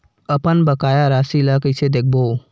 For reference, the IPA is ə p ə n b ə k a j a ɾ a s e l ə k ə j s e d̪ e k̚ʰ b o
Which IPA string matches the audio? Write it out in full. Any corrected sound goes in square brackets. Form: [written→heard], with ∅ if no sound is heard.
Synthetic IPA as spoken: ə p ə n b ə k a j a ɾ a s [e→i] l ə k ə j s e d̪ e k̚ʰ b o